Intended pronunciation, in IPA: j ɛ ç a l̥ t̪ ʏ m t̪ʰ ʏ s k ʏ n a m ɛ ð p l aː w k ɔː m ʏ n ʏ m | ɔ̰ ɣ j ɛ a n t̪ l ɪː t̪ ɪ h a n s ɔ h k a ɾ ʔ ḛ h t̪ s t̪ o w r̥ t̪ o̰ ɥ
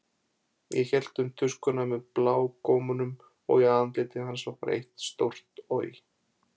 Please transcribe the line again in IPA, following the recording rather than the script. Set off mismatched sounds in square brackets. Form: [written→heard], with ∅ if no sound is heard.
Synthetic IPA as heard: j ɛ ç [a→ɛ] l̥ t̪ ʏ m t̪ʰ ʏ s k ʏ n a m ɛ ð p l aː w k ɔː m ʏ n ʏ m | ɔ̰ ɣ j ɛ a n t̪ l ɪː t̪ ɪ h a n s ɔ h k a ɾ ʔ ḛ h t̪ s t̪ o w r̥ t̪ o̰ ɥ